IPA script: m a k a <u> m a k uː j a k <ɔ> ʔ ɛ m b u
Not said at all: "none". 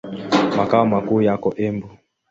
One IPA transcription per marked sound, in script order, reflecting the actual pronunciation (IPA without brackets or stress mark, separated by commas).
ɔ, ɔ